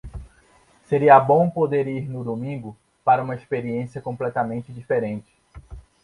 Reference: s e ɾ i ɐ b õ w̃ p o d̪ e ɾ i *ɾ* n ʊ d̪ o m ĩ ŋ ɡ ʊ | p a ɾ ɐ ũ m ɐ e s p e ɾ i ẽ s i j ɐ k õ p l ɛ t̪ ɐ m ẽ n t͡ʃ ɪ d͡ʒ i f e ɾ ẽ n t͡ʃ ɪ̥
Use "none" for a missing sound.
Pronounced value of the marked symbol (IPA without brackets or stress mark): ɾ